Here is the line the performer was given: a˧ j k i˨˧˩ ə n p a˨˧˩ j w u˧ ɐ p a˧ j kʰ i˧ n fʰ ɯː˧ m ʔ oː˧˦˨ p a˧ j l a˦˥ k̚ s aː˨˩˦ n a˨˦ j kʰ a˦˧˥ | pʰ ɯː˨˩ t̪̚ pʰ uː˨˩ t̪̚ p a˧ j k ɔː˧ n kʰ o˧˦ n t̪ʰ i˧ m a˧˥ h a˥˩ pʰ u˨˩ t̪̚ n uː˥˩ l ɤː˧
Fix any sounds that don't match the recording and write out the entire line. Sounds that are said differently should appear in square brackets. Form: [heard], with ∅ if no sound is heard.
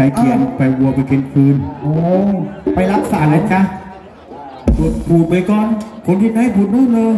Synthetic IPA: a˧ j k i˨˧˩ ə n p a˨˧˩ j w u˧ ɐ p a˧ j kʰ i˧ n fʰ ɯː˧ [n] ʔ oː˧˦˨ p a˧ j l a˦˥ k̚ s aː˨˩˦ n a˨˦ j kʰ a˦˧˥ | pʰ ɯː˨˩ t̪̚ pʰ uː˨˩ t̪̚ p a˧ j k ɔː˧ n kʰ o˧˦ n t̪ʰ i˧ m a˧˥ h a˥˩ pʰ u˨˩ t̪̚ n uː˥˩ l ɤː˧